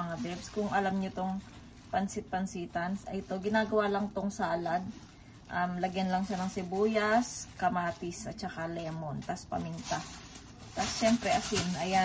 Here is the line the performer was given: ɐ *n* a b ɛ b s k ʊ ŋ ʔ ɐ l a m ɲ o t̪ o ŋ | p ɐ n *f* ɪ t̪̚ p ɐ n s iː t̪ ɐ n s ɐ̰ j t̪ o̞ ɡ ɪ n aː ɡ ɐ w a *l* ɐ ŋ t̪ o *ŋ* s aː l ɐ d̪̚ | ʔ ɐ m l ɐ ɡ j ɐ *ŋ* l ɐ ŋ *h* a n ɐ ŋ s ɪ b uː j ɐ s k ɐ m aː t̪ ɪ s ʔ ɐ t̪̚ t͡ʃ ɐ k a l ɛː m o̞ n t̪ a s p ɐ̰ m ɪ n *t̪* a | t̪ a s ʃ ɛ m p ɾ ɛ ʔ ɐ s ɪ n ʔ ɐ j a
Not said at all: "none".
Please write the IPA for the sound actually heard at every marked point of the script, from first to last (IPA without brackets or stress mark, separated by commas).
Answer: ŋ, s, l, ŋ, n, ʃ, t̪